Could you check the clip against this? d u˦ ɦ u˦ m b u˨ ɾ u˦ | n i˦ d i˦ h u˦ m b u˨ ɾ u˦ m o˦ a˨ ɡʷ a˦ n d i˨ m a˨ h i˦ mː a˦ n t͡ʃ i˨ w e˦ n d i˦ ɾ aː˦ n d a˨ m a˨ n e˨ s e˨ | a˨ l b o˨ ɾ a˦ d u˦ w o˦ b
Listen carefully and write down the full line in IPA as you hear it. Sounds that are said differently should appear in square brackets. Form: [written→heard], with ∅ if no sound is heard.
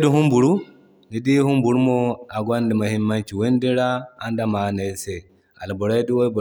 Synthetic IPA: d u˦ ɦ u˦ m b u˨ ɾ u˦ | n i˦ d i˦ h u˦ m b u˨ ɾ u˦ m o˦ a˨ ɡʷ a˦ n d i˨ m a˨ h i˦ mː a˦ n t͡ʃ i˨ w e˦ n d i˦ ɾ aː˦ n d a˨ m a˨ n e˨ s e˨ | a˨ l b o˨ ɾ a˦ d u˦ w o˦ b